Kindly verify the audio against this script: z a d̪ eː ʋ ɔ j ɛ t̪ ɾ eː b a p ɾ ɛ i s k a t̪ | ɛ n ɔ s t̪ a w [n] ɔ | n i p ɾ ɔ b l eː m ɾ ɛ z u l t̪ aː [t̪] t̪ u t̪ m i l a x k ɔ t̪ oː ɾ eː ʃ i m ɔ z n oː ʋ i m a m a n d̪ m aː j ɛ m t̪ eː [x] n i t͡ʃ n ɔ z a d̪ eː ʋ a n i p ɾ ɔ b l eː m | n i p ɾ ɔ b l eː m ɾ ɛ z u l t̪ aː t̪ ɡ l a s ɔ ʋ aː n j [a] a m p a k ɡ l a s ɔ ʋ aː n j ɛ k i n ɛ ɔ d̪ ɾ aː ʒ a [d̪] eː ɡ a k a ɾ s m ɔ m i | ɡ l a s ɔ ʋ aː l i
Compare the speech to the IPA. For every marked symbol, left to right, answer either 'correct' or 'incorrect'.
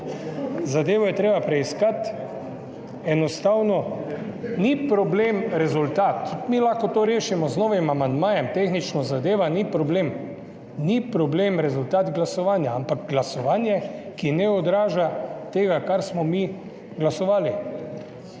correct, correct, correct, correct, incorrect

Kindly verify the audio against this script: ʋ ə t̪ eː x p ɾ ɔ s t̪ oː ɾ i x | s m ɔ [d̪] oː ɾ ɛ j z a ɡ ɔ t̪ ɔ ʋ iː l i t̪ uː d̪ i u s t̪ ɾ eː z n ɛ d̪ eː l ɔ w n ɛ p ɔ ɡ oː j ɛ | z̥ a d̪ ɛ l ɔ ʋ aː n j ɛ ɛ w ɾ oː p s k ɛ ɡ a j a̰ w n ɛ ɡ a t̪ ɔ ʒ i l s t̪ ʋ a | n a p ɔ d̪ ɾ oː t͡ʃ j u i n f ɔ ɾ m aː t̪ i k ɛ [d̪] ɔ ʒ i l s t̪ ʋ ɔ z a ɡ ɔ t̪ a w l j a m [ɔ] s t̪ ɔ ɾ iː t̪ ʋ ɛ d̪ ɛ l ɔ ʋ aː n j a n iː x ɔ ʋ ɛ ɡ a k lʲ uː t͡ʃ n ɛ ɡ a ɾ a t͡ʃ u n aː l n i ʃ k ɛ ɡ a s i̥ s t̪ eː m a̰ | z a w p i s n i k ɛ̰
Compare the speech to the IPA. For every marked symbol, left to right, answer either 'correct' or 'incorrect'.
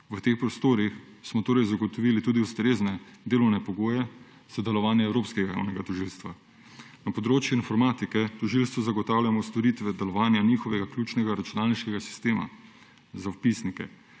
incorrect, incorrect, correct

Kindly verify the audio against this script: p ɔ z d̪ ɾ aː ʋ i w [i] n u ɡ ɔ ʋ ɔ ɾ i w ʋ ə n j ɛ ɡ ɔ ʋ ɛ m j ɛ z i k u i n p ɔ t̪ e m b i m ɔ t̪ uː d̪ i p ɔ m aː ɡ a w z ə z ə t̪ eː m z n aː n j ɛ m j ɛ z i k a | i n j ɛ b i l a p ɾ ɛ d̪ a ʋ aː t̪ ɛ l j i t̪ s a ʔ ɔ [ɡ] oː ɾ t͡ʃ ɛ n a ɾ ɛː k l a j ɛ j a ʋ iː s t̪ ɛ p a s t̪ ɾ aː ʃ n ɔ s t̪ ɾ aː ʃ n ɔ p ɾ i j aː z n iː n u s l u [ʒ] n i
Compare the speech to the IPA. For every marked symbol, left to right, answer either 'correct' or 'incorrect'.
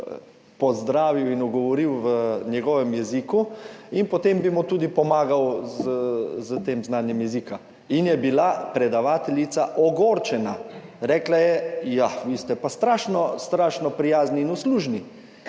correct, correct, correct

